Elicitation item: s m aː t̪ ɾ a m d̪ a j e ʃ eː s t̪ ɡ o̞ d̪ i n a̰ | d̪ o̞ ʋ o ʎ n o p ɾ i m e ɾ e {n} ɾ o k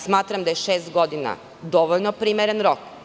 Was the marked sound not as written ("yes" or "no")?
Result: no